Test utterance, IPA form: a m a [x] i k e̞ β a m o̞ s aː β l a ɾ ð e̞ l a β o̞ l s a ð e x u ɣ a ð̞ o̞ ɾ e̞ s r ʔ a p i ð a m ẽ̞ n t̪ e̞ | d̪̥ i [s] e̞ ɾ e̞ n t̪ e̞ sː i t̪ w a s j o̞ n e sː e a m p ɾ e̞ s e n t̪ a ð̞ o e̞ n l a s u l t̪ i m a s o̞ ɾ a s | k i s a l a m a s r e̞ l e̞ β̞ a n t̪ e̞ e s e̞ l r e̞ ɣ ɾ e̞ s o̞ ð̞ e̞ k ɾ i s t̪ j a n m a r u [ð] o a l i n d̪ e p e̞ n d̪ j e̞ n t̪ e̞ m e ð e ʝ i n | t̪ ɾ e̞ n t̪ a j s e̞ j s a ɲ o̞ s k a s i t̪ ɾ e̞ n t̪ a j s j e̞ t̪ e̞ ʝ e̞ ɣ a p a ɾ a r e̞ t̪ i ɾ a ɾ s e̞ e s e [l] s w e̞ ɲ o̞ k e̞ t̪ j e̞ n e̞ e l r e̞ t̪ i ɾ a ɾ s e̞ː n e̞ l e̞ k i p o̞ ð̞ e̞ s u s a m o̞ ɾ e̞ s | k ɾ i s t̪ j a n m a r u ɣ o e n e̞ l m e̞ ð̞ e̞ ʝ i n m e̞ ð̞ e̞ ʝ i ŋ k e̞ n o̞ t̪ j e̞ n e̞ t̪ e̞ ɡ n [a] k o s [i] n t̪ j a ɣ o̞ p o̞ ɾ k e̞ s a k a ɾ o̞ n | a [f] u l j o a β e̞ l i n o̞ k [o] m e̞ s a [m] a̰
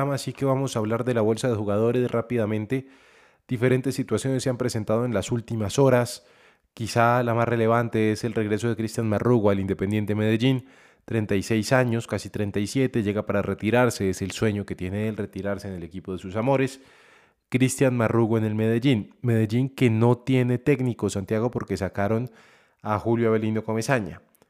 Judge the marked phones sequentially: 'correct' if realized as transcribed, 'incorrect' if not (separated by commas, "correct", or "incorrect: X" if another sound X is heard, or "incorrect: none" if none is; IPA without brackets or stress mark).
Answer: incorrect: s, incorrect: f, incorrect: ɣ, correct, incorrect: i, incorrect: a, incorrect: x, correct, incorrect: ɲ